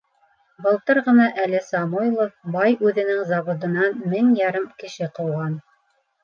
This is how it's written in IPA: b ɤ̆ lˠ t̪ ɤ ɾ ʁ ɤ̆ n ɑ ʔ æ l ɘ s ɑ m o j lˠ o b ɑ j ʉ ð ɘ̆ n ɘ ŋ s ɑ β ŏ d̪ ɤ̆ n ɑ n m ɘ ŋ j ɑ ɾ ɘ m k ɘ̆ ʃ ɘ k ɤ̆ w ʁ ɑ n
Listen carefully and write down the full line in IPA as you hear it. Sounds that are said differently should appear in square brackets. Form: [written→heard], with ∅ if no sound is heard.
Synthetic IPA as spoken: b ɤ̆ lˠ t̪ ɤ ɾ ʁ ɤ̆ n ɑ ʔ æ l ɘ s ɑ m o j lˠ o b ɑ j ʉ ð ɘ̆ n ɘ ŋ [s→z] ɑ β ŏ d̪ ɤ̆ n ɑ n m ɘ ŋ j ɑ ɾ ɘ m k ɘ̆ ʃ ɘ [k→q] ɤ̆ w ʁ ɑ n